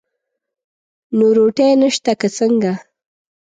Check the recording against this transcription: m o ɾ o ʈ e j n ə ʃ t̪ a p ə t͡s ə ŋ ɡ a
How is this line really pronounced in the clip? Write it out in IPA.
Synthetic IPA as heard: n o ɾ o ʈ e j n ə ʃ t̪ a k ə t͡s ə ŋ ɡ a